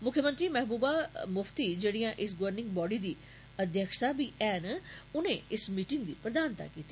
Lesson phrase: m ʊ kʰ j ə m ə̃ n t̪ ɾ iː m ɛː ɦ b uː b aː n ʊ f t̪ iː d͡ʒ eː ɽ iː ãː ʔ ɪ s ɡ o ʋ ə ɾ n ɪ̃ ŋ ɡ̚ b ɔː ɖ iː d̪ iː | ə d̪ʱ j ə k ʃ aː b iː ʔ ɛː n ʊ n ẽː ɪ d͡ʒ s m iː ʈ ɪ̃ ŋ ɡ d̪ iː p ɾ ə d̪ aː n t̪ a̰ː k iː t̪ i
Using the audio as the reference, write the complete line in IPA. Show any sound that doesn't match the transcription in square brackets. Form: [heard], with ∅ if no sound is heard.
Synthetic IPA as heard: m ʊ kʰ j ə m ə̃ n t̪ ɾ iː m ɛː ɦ b uː b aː [m] ʊ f t̪ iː d͡ʒ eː ɽ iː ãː ʔ ɪ s ɡ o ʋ ə ɾ n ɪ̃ ŋ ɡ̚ b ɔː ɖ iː d̪ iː | ə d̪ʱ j ə k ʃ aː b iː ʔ ɛː n ʊ n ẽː ɪ [∅] s m iː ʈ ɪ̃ ŋ ɡ d̪ iː p ɾ ə d̪ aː n t̪ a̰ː k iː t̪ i

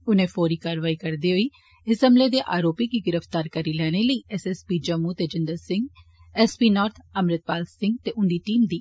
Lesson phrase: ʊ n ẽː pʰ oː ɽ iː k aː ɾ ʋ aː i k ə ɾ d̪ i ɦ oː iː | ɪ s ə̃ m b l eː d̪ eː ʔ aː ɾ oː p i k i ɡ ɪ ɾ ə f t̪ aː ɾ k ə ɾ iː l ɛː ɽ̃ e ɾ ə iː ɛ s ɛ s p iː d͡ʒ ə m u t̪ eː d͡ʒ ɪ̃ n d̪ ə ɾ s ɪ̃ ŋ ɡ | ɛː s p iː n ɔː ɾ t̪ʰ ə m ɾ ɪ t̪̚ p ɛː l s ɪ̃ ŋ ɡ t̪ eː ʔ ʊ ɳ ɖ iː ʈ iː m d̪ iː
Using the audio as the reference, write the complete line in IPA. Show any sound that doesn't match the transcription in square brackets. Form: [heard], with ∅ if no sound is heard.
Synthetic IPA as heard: ʊ n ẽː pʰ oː [ɾ] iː k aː ɾ ʋ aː i k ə ɾ d̪ i ɦ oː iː | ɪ s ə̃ m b l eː d̪ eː ʔ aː ɾ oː p i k i ɡ ɪ ɾ ə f t̪ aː ɾ k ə ɾ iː l ɛː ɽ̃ e [l] ə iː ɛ s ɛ s p iː d͡ʒ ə m u t̪ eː d͡ʒ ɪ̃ n d̪ ə ɾ s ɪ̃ ŋ ɡ | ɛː s p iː n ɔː ɾ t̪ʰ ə m ɾ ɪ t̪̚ p [aː] l s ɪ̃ ŋ ɡ t̪ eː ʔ ʊ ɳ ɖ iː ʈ iː m d̪ iː

